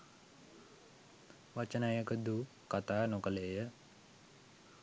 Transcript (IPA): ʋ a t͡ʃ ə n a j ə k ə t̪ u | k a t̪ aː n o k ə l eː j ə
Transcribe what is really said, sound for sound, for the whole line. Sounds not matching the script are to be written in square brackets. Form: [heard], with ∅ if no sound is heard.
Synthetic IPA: ʋ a t͡ʃ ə n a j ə k ə [d̪] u | k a t̪ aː n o k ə l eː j ə